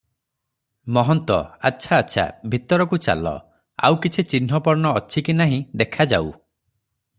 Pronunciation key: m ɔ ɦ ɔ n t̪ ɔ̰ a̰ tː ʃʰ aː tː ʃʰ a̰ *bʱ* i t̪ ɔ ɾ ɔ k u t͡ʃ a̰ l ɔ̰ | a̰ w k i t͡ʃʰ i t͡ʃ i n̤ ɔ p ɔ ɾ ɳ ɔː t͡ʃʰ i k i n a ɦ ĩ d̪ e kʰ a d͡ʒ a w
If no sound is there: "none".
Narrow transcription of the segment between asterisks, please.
bʱ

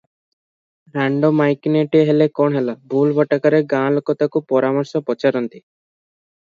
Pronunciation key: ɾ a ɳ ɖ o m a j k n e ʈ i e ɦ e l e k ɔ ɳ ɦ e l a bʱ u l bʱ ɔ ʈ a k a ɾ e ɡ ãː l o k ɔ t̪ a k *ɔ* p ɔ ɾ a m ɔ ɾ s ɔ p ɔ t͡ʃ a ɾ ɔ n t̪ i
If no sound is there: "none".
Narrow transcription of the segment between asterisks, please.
u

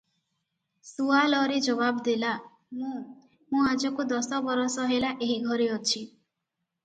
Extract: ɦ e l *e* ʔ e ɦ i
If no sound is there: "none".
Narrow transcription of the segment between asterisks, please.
a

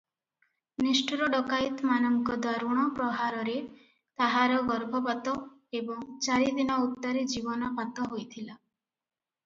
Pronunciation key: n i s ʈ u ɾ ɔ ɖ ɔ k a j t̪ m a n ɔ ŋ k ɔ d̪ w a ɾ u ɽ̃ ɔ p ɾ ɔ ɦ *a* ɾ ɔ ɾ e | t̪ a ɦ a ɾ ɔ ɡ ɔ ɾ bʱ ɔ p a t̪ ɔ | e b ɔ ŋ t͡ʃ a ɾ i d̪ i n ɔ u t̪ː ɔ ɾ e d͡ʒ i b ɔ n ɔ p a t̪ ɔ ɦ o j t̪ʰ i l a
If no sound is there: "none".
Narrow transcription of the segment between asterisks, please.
a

